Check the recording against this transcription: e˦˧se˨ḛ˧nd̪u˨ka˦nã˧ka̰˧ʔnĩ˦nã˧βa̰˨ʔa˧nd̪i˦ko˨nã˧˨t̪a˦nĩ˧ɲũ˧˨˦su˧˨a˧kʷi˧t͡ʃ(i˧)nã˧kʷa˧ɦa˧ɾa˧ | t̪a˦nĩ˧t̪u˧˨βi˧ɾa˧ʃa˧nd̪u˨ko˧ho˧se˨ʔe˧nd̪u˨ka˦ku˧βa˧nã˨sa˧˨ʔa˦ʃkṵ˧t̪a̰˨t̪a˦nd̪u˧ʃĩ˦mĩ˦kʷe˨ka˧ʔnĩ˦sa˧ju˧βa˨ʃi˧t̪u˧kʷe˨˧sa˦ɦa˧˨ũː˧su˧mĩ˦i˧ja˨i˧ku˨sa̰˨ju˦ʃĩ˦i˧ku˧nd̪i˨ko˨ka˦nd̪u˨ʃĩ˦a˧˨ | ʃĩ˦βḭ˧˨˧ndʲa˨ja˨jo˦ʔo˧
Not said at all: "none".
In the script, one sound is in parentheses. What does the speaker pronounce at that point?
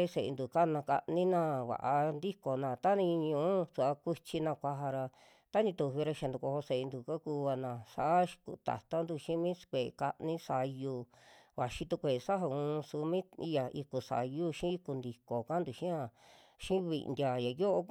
i˧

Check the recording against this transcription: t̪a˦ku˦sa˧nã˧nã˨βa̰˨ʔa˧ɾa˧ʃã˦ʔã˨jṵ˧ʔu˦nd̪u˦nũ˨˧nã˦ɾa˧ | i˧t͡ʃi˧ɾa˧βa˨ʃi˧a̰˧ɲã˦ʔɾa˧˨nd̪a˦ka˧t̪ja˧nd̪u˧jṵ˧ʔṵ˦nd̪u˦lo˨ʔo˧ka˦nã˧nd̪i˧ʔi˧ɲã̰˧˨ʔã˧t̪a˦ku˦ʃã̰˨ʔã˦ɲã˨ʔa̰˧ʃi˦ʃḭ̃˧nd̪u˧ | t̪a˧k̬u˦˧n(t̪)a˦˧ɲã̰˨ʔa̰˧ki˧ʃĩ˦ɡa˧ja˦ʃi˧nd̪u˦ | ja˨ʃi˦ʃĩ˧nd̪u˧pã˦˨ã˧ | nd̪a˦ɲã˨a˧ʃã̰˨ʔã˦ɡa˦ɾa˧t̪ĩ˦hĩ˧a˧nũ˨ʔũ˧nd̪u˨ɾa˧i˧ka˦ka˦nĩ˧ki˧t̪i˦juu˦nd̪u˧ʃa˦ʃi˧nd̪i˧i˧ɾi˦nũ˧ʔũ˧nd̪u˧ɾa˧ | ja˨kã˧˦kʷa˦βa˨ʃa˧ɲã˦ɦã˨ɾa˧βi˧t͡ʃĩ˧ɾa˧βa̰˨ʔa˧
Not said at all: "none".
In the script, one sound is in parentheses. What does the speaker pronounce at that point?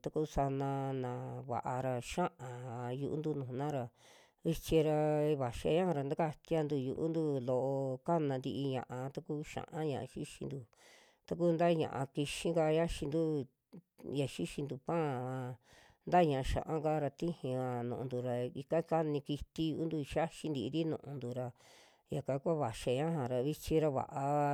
d̪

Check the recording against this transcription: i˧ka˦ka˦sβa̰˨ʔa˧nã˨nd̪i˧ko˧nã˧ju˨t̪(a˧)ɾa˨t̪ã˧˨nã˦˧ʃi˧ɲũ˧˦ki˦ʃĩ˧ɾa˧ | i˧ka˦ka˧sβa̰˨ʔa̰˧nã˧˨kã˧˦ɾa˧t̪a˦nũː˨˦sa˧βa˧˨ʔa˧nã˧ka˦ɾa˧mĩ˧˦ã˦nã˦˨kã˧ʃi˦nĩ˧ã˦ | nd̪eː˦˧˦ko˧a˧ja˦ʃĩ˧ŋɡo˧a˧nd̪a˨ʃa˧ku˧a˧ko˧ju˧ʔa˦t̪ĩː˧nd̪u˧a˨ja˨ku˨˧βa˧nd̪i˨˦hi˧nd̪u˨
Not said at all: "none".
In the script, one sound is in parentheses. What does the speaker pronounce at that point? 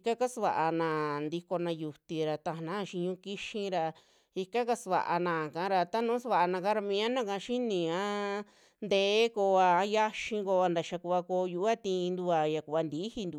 i˧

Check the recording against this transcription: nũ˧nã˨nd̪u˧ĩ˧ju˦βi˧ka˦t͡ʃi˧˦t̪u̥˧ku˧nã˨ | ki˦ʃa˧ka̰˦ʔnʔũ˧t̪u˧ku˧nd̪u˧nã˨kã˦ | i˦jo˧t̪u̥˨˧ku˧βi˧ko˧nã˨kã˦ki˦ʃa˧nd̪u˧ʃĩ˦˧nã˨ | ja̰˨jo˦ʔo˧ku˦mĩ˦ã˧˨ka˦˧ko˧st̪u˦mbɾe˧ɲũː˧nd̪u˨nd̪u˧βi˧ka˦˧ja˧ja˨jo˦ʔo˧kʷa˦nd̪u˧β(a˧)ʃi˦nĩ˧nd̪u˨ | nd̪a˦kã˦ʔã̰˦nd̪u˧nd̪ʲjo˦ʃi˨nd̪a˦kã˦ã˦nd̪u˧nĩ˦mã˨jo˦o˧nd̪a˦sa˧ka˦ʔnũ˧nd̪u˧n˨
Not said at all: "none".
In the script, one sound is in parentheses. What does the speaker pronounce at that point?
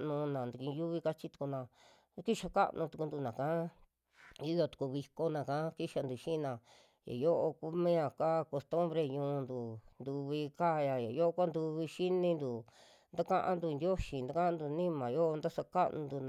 i˧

